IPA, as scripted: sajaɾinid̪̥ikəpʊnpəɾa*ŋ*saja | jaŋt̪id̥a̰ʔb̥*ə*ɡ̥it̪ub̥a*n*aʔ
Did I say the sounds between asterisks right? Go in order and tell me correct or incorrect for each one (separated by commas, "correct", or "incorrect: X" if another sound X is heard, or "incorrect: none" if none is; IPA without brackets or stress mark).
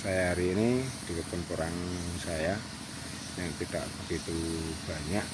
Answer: correct, correct, incorrect: ɲ